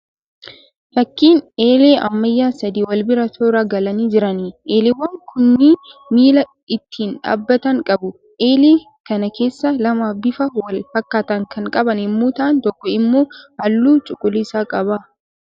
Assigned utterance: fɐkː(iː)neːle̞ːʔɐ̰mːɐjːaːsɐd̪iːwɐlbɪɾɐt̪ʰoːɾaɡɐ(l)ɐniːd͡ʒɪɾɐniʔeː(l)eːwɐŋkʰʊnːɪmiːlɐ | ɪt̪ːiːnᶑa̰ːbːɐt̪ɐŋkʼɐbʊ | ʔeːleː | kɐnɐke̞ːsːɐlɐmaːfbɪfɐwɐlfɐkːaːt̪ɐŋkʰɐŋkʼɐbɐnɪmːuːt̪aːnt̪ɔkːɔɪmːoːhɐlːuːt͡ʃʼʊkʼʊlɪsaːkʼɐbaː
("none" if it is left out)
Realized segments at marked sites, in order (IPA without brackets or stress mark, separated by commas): iː, l, l